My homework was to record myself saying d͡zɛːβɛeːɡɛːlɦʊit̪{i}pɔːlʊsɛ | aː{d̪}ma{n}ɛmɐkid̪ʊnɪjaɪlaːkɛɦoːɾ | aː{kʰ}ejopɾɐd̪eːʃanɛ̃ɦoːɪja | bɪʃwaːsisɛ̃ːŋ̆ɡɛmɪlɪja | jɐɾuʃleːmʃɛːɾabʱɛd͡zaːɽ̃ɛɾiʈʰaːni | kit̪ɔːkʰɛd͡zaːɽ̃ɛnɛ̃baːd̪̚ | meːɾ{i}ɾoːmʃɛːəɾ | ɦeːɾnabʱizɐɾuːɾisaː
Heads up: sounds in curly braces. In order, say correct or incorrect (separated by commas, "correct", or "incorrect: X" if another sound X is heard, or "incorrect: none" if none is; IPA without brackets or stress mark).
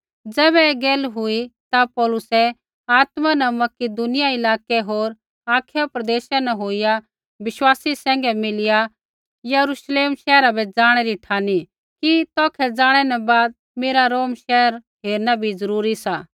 incorrect: a, incorrect: t̪, correct, correct, incorrect: a